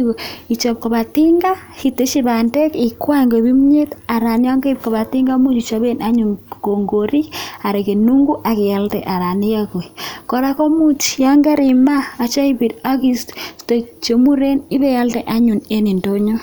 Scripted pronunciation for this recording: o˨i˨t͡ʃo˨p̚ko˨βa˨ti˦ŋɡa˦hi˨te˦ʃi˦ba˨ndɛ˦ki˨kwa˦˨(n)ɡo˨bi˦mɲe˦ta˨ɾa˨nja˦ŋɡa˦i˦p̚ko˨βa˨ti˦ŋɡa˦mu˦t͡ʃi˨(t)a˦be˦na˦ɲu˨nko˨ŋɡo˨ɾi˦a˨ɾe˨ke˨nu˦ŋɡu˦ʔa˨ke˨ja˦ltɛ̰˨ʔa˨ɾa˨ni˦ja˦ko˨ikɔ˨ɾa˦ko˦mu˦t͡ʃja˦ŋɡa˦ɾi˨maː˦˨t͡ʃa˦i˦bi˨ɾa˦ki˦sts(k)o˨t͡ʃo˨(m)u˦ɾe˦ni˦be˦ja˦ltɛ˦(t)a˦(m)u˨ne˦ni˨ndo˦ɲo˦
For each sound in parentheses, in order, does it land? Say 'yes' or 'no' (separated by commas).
no, no, no, yes, no, no